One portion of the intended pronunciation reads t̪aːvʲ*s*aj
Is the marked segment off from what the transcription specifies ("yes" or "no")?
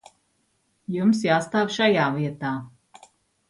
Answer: yes